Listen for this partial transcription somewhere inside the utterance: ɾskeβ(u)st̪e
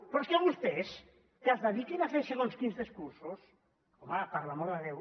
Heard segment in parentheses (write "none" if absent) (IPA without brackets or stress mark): u